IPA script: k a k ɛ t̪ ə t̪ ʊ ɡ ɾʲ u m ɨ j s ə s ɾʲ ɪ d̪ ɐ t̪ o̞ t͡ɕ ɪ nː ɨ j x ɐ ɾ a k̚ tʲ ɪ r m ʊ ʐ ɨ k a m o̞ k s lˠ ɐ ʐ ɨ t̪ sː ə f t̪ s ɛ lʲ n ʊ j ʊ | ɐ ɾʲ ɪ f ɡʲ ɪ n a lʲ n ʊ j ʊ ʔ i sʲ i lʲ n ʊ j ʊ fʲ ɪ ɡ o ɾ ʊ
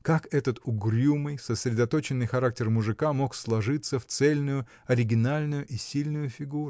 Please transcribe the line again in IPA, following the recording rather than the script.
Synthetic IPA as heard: k a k ɛ t̪ ə t̪ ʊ ɡ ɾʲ u m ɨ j s ə s ɾʲ ɪ d̪ ɐ t̪ o̞ t͡ɕ ɪ nː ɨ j x ɐ ɾ a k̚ tʲ ɪ r m ʊ ʐ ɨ k a m o̞ k s lˠ ɐ ʐ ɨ t̪ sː ə f t̪ s ɛ lʲ n ʊ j ʊ | ɐ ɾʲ ɪ ɡʲ ɪ n a lʲ n ʊ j ʊ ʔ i sʲ i lʲ n ʊ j ʊ fʲ ɪ ɡ u ɾ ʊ